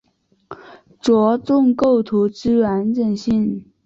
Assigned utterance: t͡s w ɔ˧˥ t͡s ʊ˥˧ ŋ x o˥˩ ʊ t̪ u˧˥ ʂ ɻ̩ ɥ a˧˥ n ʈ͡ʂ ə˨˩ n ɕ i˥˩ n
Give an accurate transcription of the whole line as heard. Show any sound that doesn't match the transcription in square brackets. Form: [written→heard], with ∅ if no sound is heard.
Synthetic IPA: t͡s w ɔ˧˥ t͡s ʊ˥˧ ŋ [x→k] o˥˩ ʊ [t̪→t̪ʰ] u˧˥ [ʂ→ʈ͡ʂ] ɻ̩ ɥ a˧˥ n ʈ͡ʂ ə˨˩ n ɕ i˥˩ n